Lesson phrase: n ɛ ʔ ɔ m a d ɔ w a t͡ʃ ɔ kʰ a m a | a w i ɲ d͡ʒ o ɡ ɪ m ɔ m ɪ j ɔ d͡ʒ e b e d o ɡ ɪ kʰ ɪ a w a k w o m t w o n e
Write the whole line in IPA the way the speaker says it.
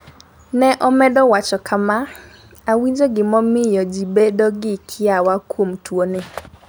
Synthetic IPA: n ɛ ʔ ɔ m ɛ d ɔ w a t͡ʃ ɔ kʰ a m a | a w i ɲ d͡ʒ o ɡ ɪ m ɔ m ɪ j ɔ d͡ʒ i b e d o ɡ ɪ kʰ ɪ a w a k w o m t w o n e